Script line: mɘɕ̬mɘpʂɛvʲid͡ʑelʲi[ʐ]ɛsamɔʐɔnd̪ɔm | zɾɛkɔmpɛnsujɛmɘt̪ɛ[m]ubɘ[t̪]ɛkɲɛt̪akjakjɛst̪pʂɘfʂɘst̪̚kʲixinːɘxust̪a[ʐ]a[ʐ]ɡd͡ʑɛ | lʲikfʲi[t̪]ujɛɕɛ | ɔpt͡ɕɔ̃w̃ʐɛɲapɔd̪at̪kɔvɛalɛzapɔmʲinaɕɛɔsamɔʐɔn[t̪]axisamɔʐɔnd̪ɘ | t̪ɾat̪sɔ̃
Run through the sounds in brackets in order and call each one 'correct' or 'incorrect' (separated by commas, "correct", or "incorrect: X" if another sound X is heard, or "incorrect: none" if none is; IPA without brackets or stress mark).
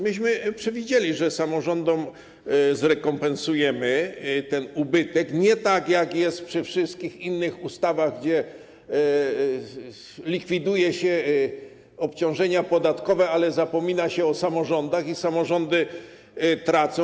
correct, incorrect: n, correct, incorrect: v, incorrect: ɣ, incorrect: d̪, incorrect: d̪